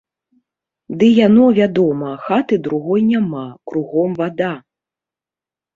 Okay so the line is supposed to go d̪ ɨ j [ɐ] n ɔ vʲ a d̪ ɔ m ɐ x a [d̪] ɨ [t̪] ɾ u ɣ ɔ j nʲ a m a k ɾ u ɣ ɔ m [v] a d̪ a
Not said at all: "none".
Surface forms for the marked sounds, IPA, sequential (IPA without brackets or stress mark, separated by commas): a, t̪, d̪, v